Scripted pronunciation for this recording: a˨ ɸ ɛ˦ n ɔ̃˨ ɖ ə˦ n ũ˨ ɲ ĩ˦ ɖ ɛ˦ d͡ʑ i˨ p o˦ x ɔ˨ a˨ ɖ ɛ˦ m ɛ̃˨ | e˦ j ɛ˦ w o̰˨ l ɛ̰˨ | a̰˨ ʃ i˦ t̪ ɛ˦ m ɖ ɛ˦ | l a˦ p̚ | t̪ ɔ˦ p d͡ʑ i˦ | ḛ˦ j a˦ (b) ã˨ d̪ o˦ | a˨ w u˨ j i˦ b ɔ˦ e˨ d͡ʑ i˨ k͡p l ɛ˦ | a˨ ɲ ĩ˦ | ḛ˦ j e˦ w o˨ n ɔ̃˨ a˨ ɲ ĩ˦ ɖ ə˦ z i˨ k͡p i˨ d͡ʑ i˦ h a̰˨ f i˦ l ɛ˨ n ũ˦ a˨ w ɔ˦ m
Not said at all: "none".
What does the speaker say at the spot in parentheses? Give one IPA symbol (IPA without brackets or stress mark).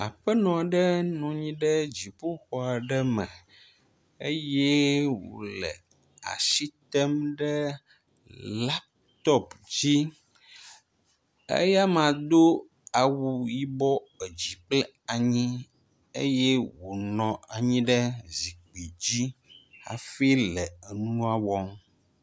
m